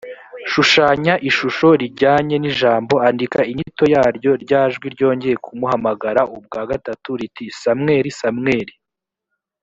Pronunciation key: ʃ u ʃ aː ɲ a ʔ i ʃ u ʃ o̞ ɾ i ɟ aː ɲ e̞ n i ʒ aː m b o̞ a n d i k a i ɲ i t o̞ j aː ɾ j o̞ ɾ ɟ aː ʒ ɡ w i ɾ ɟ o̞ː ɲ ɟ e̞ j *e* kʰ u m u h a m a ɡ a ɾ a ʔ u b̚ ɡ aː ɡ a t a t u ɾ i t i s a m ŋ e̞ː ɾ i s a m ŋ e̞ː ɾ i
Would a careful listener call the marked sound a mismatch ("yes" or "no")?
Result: no